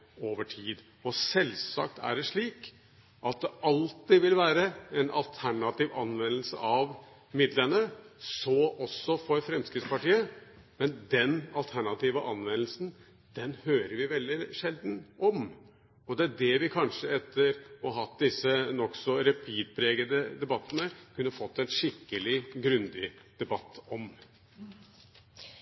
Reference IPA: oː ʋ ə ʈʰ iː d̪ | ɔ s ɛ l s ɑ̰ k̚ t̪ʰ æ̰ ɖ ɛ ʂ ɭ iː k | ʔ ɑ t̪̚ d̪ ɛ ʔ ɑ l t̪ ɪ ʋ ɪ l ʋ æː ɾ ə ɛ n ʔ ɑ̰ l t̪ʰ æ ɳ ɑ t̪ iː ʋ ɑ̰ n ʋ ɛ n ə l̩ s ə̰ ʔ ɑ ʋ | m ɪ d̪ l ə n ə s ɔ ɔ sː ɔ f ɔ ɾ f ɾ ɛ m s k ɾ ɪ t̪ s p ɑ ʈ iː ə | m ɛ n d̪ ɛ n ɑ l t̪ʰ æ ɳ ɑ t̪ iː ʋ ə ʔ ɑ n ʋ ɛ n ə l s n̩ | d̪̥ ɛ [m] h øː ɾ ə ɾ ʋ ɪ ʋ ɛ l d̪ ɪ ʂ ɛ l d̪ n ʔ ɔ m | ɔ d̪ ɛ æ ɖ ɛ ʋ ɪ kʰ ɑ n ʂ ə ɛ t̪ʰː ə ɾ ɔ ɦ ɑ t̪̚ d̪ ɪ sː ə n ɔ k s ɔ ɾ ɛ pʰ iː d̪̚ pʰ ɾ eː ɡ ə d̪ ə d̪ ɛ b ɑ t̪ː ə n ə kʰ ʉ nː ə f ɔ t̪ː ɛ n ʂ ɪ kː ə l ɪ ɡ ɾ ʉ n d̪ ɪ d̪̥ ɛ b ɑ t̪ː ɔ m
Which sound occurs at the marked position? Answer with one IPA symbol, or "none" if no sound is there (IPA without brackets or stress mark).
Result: n